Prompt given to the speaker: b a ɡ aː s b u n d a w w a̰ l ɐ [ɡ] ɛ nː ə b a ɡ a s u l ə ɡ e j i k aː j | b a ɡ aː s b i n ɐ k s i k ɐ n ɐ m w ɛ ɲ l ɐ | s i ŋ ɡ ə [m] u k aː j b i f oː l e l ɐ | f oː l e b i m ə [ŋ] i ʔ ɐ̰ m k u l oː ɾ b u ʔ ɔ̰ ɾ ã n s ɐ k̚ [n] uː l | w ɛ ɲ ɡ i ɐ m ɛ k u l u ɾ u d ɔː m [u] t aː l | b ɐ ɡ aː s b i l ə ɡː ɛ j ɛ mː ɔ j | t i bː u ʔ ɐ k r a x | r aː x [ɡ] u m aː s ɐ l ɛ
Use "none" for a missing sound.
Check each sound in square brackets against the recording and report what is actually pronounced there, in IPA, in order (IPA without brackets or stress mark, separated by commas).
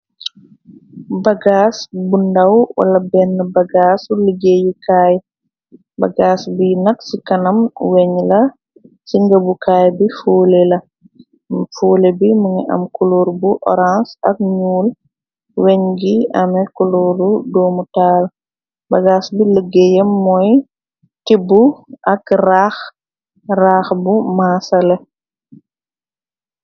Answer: b, b, ŋ, ɲ, u, b